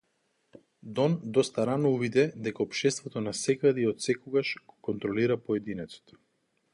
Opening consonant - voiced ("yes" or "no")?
yes